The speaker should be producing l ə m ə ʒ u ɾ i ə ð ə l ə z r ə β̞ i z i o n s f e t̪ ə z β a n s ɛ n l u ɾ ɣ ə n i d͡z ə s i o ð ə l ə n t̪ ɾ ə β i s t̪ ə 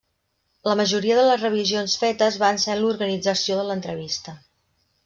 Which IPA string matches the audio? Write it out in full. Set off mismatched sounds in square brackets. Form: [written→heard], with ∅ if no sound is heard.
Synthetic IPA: l ə m ə ʒ u ɾ i ə ð ə l ə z r ə β̞ i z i o n s f e t̪ ə z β a n s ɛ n l u ɾ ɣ ə n i d͡z ə s i o ð ə l ə n t̪ ɾ ə β i s t̪ ə